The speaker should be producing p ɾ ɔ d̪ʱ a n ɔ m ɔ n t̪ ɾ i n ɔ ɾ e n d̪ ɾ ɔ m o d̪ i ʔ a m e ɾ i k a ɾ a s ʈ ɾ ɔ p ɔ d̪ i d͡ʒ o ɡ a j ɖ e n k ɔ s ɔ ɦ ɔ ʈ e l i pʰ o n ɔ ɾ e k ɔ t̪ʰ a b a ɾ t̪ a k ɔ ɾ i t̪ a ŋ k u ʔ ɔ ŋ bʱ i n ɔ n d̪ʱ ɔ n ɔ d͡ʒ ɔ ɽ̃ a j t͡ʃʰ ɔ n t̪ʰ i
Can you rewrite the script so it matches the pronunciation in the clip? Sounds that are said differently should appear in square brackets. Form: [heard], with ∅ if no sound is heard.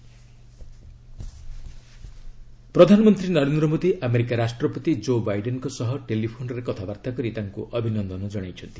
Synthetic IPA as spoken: p ɾ ɔ d̪ʱ a n ɔ m ɔ n t̪ ɾ i n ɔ ɾ e n d̪ ɾ ɔ m o d̪ i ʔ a m e ɾ i k a ɾ a s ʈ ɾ ɔ p ɔ [t̪] i d͡ʒ o [b] a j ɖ e n k ɔ s ɔ ɦ ɔ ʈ e l i pʰ o n ɔ ɾ e k ɔ t̪ʰ a b a ɾ t̪ a k ɔ ɾ i t̪ a ŋ k u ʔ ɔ [∅] bʱ i n ɔ n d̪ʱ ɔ n ɔ d͡ʒ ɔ ɽ̃ a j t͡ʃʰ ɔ n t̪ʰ i